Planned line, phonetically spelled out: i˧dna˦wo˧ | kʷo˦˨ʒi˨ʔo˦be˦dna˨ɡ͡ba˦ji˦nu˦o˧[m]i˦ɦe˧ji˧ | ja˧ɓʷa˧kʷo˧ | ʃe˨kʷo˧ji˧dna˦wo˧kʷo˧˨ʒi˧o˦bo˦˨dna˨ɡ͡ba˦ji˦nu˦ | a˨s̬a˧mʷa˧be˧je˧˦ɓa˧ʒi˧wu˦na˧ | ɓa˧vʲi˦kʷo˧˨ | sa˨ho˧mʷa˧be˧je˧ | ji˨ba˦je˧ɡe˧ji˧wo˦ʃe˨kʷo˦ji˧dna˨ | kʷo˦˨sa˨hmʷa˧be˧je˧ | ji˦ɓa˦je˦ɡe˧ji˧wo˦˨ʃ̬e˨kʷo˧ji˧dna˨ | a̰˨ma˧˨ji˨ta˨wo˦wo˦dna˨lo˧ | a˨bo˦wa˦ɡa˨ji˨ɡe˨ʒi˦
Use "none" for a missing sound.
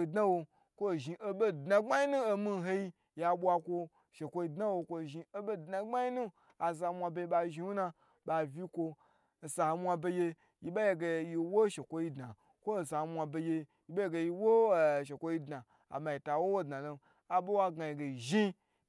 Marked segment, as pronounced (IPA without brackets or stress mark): m